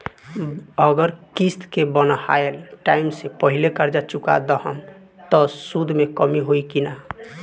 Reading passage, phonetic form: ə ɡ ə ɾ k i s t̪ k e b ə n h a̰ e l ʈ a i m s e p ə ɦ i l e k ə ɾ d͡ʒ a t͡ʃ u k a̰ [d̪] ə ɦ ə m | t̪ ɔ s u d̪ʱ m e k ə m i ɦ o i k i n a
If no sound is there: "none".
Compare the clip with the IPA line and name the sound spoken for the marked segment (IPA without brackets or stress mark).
d̪